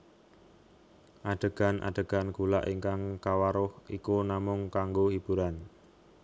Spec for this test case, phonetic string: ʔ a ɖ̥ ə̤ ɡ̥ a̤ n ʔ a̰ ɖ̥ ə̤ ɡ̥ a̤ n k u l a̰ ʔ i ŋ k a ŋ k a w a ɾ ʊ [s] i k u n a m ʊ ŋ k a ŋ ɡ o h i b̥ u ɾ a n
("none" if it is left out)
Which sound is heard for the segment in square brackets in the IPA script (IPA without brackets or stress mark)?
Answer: h